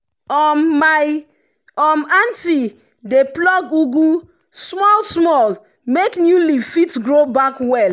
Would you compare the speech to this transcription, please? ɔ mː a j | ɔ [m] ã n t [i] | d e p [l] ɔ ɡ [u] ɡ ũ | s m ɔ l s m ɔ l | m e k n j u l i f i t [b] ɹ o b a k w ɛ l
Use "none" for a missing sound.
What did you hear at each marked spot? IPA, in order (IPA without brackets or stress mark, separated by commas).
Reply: m, i, l, u, ɡ